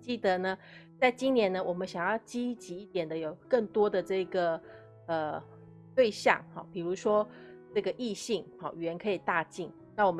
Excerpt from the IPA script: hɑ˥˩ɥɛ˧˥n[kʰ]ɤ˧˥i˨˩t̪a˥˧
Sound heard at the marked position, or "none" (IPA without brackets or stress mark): kʰ